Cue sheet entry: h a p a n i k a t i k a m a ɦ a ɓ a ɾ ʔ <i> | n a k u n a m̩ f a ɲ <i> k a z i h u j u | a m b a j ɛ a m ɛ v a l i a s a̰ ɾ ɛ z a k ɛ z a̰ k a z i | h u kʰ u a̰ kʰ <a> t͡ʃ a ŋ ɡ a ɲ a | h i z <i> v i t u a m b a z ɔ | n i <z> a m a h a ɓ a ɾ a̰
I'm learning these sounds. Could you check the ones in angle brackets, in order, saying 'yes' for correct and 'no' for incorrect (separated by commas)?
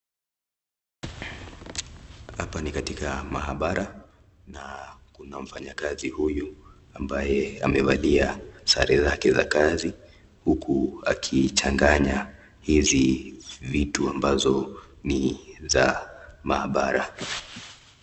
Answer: no, no, no, yes, yes